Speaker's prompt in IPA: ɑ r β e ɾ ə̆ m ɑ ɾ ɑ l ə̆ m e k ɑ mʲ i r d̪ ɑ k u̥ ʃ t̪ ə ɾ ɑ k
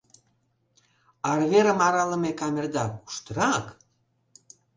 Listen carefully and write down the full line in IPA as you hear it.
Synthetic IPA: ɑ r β e ɾ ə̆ m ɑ ɾ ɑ l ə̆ m e k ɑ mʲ e r d̪ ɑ k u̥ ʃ t̪ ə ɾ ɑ k

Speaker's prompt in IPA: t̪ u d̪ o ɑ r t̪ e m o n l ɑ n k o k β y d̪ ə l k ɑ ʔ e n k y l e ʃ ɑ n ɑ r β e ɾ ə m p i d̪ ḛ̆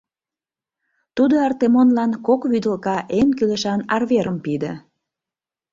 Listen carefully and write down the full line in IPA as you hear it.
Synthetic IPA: t̪ u d̪ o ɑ r t̪ e m o n l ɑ n k o k β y d̪ ə l k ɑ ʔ e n k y l e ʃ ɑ n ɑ r β e ɾ ə m p i d̪ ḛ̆

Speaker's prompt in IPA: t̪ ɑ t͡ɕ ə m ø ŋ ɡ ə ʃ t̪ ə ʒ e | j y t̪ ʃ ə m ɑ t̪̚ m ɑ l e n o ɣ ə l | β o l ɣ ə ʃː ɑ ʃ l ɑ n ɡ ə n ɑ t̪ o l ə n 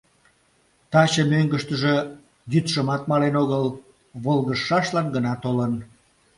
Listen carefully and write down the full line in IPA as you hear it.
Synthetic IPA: t̪ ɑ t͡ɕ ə m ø ŋ ɡ ə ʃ t̪ ə ʒ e | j y t̪ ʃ ə m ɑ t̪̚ m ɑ l e n o ɣ ə l | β o l ɣ ə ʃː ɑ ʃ l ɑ n ɡ ə n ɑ t̪ o l ə n

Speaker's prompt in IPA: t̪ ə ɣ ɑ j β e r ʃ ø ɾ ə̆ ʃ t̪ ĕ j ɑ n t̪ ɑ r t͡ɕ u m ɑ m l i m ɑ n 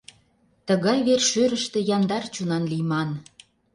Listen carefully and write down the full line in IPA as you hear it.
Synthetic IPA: t̪ ə ɣ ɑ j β e r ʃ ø ɾ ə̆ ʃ t̪ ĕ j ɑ n d̪ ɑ r t͡ɕ u n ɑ n l i m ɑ n

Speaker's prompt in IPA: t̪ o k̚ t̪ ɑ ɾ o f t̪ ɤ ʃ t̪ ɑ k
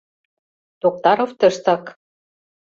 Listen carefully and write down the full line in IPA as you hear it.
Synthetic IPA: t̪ o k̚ t̪ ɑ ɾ o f t̪ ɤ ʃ t̪ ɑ k

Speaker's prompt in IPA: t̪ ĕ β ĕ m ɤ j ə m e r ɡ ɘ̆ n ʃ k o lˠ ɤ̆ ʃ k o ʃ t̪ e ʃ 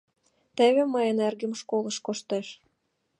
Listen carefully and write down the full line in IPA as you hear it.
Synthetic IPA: t̪ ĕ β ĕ m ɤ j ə n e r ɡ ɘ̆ m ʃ k o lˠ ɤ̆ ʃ k o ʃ t̪ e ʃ

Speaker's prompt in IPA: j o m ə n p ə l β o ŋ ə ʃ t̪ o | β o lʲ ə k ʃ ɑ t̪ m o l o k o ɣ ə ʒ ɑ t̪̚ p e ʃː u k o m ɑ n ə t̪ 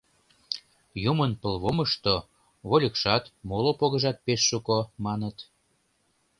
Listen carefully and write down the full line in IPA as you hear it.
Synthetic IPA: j u m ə n p ə l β o m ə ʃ t̪ o | β o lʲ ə k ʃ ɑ t̪ m o l o p o ɣ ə ʒ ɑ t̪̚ p e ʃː u k o m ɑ n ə t̪

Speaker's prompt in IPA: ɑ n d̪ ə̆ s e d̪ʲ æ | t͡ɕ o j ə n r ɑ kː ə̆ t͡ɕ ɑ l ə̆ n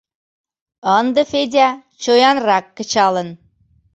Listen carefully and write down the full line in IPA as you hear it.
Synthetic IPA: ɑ n d̪ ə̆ f e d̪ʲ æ | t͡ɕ o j ɑ n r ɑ kː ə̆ t͡ɕ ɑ l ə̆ n

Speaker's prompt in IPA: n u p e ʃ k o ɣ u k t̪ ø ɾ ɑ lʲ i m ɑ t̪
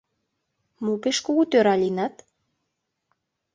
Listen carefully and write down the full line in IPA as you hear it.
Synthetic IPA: m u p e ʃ k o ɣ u t̪ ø ɾ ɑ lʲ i n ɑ t̪

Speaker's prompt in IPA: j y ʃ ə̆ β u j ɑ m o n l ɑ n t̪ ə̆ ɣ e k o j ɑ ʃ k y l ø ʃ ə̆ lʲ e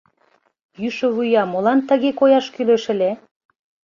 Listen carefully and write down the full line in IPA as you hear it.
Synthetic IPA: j y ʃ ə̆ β u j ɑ m o l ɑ n t̪ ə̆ ɣ e k o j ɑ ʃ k y l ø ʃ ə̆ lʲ e

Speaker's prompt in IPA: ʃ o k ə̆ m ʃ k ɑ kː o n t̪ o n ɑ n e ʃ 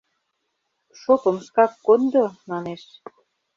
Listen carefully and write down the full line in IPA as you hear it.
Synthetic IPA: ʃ o p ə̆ m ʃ k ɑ kː o n d̪ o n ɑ n e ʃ

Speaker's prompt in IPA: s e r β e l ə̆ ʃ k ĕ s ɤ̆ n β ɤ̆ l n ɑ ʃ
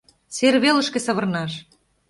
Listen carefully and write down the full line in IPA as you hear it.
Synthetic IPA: s e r β e l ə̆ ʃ k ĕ s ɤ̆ β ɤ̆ r n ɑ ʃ

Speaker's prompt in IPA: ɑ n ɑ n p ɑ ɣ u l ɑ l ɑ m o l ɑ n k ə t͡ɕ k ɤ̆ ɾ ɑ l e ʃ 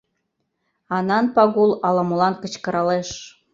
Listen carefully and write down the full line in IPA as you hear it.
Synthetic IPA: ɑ n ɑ n p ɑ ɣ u l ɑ l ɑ m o l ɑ n k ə t͡ɕ k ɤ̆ ɾ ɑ l e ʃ

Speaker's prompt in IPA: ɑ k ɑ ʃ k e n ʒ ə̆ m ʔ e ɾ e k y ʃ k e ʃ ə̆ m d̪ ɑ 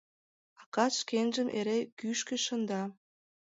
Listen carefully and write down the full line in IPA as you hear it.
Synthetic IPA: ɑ k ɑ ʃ k e n ʒ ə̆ m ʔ e ɾ e k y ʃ k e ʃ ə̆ n d̪ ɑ

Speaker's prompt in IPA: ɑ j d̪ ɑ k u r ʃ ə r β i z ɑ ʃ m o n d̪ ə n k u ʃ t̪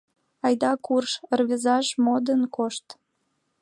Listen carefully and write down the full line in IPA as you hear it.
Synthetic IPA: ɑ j d̪ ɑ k u r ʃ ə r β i z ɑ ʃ m o d̪ ə n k o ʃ t̪

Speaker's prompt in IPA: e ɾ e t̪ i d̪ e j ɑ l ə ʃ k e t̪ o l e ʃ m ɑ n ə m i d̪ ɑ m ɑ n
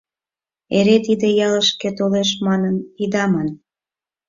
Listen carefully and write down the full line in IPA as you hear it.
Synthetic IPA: e ɾ e t̪ i d̪ e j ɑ l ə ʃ k e t̪ o l e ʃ m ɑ n ə n i d̪ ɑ m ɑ n

